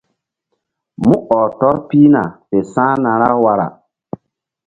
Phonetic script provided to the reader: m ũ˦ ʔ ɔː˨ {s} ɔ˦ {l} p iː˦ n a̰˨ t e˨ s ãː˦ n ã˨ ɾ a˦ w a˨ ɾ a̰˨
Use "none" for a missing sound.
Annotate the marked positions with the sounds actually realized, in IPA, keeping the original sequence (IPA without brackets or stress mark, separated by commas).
t, ɾ